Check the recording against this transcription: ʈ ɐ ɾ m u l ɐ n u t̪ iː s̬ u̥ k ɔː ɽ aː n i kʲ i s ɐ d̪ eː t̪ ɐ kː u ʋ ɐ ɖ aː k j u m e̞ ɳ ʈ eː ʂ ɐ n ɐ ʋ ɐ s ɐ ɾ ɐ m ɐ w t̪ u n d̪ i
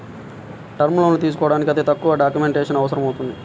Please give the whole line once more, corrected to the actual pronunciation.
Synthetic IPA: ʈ ɐ ɾ m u l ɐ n u t̪ iː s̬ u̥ k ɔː ɽ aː n i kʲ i ɐ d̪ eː t̪ ɐ kː u ʋ ɐ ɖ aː k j u m e̞ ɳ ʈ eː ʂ ɐ n ɐ ʋ ɐ s ɐ ɾ ɐ m ɐ w t̪ u n d̪ i